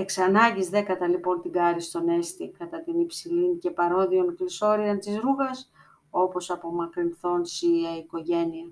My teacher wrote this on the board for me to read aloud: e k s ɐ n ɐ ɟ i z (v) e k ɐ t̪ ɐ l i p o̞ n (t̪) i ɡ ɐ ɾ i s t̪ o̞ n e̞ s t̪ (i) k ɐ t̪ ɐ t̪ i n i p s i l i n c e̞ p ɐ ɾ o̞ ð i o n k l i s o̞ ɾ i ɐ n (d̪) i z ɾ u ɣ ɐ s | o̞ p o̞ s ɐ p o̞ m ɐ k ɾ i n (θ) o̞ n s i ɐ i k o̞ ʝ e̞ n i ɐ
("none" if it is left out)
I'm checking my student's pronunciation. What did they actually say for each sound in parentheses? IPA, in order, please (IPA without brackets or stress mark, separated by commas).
ð, t̪, i, t̪, θ